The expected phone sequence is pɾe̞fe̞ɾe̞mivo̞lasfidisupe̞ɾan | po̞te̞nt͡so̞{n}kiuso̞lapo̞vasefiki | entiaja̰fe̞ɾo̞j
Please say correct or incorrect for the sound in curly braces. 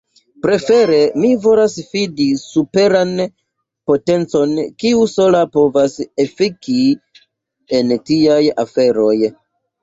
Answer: correct